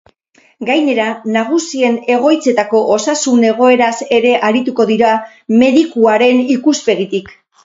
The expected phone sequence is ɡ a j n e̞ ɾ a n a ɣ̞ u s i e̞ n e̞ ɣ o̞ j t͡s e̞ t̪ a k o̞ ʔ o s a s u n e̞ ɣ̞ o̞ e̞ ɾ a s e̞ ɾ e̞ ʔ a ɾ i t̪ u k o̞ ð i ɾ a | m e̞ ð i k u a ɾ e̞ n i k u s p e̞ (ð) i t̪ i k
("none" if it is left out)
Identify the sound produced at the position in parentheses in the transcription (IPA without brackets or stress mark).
ɣ